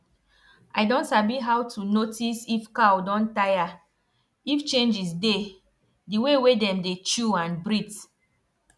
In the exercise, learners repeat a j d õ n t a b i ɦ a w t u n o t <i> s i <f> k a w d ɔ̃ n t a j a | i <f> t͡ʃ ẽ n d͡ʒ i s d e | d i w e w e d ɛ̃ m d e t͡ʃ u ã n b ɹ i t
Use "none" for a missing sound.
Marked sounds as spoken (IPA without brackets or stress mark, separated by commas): i, f, f